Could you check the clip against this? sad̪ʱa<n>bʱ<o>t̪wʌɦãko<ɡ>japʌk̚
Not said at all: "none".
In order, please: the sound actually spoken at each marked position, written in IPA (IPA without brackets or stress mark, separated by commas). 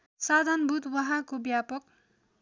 n, u, b